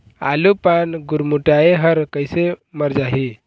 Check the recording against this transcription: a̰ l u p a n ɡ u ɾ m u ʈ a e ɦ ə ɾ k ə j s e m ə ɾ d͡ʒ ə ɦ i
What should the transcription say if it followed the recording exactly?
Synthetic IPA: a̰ l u p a n ɡ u ɾ m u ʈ a e ɦ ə ɾ k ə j s e m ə ɾ d͡ʒ a ɦ i